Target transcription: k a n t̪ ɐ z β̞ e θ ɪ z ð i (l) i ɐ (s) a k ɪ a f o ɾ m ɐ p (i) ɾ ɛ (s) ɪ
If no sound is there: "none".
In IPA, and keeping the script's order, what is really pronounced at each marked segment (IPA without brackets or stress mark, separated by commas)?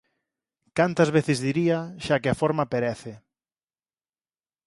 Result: ɾ, ʃ, e, θ